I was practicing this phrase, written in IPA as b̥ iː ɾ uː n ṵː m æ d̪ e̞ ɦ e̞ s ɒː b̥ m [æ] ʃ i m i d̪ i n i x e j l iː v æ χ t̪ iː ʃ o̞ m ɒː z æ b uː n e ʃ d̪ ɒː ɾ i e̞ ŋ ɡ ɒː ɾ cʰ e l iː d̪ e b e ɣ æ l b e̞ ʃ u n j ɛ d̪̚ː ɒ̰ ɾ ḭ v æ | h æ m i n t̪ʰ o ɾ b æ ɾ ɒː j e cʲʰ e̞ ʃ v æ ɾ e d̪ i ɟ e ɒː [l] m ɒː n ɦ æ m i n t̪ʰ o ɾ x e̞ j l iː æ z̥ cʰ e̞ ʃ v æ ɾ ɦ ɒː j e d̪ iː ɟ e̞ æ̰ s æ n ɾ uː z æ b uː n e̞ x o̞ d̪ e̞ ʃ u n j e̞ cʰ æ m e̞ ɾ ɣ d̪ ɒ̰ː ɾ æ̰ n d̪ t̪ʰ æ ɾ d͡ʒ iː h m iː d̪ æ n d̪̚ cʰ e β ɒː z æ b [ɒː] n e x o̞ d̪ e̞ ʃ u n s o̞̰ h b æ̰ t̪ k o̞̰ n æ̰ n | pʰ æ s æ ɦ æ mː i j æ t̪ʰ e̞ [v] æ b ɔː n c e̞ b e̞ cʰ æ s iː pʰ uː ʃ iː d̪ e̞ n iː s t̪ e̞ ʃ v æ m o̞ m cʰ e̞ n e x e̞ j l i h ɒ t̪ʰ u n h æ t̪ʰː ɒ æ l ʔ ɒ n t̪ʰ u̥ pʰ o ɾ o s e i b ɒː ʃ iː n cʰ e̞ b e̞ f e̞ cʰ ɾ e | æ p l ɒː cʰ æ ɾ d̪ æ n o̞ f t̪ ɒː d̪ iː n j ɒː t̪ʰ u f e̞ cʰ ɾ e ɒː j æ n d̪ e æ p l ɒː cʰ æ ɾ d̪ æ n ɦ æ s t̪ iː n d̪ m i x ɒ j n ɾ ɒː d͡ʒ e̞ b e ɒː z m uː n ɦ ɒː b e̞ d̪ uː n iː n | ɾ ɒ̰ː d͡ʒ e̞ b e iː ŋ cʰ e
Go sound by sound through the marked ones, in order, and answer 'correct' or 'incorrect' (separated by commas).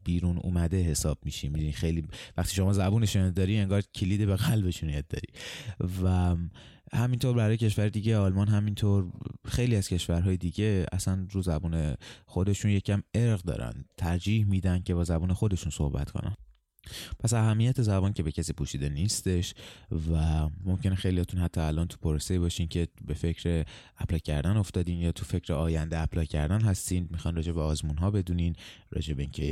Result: incorrect, correct, incorrect, incorrect